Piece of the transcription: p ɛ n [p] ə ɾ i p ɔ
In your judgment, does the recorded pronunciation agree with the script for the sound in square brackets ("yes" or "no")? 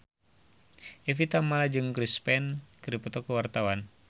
no